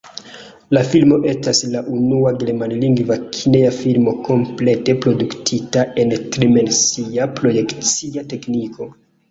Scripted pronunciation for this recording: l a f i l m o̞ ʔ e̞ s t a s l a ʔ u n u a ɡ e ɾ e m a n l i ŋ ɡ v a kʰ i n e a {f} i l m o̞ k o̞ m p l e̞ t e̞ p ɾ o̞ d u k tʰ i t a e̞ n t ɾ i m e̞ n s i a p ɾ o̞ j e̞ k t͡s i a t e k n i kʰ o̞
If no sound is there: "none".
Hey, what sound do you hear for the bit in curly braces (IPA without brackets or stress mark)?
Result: f